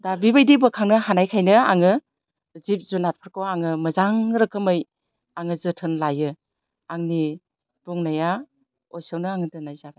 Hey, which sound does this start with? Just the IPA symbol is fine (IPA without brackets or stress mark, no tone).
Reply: d